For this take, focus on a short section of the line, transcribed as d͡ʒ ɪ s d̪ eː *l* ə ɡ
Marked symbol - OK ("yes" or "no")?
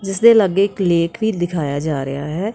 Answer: yes